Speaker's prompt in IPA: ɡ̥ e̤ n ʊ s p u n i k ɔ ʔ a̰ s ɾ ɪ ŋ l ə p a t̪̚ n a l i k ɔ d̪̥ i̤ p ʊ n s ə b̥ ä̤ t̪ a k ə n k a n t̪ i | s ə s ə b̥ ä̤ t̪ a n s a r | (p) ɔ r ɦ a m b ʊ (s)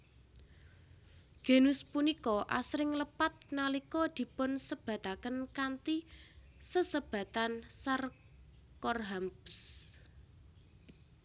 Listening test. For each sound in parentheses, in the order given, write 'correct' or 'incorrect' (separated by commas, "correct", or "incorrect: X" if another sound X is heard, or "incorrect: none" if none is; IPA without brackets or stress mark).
incorrect: k, correct